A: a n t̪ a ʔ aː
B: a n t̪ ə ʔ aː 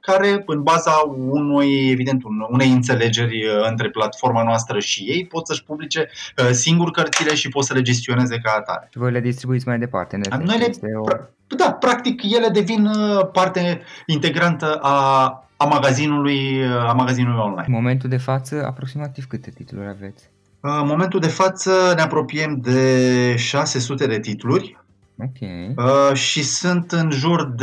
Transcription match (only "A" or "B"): B